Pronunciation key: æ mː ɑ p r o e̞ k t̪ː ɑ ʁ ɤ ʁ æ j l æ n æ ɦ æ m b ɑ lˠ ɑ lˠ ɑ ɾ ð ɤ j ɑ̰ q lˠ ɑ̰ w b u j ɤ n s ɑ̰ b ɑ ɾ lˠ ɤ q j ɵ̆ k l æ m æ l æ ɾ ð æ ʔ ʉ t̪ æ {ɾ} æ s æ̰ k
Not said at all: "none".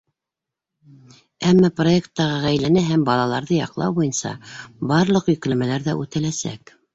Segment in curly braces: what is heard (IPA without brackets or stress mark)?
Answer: l